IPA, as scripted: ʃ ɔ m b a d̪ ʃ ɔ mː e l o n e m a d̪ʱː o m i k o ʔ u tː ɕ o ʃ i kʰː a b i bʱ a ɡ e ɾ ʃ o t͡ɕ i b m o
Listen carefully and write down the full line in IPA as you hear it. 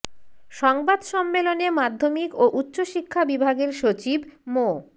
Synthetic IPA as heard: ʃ ɔ ŋ b a d̪ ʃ ɔ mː e l o n e m a d̪ʱː o m i k o ʔ u tː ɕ o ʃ i kʰː a b i bʱ a ɡ e ɾ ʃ o t͡ɕ i b m o